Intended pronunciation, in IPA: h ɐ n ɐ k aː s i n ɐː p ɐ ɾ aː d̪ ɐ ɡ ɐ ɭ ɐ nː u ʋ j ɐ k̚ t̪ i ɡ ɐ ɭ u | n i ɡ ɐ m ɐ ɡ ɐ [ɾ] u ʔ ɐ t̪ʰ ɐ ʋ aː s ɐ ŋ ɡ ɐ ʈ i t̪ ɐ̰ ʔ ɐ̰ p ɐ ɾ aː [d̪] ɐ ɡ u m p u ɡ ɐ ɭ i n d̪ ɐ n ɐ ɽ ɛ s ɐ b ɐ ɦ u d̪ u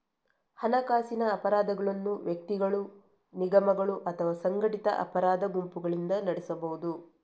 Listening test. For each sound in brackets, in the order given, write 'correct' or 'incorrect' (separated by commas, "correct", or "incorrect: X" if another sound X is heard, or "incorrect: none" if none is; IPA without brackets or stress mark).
incorrect: ɭ, correct